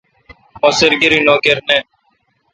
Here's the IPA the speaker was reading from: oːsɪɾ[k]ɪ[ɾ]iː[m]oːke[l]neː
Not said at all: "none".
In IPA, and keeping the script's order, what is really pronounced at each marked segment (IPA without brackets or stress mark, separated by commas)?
ɡ, ɾ, n, ɾ